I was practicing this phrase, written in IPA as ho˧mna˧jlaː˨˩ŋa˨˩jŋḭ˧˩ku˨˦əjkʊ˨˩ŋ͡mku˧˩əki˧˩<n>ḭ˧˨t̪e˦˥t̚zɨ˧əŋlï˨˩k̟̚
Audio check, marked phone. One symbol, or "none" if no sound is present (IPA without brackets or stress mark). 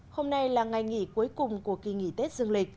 ŋ